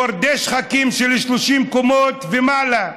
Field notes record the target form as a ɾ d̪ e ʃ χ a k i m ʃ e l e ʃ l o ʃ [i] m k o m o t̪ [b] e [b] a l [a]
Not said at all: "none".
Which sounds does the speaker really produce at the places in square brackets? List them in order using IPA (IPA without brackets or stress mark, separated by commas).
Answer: i, v, m, a